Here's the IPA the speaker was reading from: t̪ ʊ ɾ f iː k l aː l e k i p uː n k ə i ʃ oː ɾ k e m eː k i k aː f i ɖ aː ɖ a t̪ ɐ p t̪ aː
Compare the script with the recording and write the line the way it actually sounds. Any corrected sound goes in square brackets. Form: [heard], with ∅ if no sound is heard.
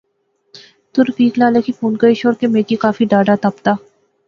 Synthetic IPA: t̪ ʊ ɾ f iː k l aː l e k i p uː n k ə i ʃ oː ɾ k e m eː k i k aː f i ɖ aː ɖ a t̪ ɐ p t̪ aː